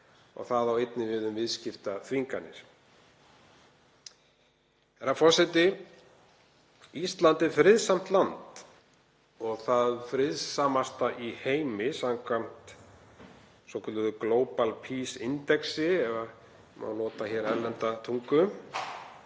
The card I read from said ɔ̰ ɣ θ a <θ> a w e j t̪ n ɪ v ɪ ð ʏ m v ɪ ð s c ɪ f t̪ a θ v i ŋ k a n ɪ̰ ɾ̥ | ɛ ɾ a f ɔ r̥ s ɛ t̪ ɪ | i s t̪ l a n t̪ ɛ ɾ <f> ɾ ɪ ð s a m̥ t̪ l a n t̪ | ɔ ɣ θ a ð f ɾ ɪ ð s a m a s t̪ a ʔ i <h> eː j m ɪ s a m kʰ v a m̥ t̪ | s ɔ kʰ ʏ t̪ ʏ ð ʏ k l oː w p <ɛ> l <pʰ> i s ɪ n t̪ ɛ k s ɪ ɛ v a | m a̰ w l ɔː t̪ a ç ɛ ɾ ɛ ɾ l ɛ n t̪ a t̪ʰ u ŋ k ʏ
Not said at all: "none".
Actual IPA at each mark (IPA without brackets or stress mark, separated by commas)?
ð, f, h, a, pʰ